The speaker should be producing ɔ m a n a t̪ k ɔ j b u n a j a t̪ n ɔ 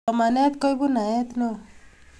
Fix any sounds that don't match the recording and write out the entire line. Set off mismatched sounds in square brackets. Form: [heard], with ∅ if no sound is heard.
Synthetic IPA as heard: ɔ m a n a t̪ k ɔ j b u n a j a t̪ n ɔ